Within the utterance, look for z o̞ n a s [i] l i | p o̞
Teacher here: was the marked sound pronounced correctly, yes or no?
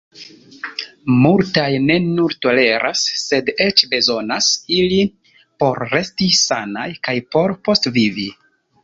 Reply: yes